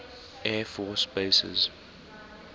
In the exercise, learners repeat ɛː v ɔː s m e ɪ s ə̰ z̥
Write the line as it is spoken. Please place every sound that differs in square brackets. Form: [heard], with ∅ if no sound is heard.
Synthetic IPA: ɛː [f] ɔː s [b] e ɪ s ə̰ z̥